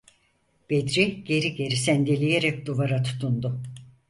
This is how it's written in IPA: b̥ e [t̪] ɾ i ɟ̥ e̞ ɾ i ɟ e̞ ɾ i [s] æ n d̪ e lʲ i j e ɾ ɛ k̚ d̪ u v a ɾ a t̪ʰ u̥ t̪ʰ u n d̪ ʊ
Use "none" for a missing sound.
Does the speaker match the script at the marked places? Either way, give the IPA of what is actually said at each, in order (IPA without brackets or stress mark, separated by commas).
d̪, s